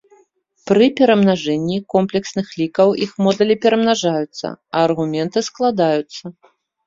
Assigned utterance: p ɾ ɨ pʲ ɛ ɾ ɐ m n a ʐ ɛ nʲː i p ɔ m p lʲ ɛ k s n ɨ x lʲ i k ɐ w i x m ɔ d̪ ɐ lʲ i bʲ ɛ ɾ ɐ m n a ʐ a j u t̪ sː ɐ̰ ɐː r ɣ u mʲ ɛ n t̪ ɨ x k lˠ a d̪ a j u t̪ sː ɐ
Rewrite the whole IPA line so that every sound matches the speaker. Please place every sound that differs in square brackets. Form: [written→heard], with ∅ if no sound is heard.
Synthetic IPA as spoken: p ɾ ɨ pʲ ɛ ɾ ɐ m n a ʐ ɛ nʲː i [p→k] ɔ m p lʲ ɛ k s n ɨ x lʲ i k ɐ w i x m ɔ d̪ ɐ lʲ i [bʲ→pʲ] ɛ ɾ ɐ m n a ʐ a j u t̪ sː ɐ̰ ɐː r ɣ u mʲ ɛ n t̪ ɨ [x→s] k lˠ a d̪ a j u t̪ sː ɐ